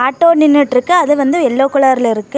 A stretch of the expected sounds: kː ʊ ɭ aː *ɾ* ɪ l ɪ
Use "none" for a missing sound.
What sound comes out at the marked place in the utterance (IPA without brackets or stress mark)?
ɾ